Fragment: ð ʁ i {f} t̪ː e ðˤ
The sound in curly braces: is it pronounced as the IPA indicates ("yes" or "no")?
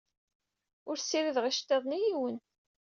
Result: no